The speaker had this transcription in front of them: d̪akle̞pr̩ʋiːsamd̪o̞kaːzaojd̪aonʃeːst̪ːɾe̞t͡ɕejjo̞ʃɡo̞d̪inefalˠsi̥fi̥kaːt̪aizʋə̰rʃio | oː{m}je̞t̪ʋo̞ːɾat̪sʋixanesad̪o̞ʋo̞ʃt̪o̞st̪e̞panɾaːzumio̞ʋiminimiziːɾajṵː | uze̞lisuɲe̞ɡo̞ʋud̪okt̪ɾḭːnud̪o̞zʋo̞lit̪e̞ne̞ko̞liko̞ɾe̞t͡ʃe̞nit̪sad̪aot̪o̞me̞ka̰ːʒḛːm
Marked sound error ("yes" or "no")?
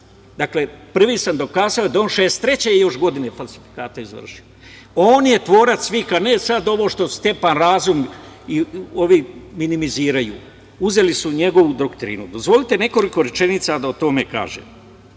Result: yes